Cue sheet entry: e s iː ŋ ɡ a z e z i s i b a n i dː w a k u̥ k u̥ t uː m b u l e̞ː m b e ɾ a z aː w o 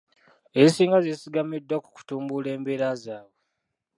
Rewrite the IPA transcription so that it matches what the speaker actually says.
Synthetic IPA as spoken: e s iː ŋ ɡ a z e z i s i ɡ a m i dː w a k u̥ k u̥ t uː m b u l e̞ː m b e ɾ a z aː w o